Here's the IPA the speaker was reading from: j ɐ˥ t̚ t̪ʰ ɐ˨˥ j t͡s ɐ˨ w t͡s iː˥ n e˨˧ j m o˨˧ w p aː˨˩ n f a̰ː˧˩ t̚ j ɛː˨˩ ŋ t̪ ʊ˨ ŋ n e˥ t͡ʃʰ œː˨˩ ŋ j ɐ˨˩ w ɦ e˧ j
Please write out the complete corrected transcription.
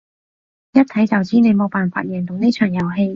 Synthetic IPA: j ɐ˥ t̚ t̪ʰ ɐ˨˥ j t͡s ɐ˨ w t͡s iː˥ n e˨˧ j m o˨˧ w p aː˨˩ n f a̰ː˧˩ t̚ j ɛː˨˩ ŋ t̪ ʊ˨ ŋ n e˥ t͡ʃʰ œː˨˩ ŋ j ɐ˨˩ w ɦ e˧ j